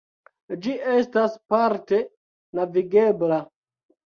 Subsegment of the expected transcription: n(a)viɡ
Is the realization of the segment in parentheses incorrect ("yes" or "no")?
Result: no